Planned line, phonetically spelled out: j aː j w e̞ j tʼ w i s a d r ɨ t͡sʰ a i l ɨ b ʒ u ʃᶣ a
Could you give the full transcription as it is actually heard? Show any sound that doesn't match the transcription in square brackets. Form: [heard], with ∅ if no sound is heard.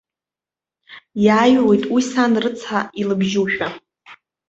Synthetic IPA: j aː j w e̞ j tʼ w i s a [n] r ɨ t͡sʰ a i l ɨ b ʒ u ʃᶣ a